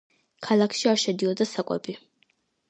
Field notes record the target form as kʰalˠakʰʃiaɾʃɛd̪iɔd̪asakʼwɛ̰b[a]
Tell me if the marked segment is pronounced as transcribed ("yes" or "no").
no